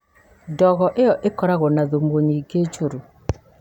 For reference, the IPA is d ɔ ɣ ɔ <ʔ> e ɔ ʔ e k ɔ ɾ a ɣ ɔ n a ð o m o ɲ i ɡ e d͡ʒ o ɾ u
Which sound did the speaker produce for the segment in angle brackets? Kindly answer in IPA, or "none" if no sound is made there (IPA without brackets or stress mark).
ʔ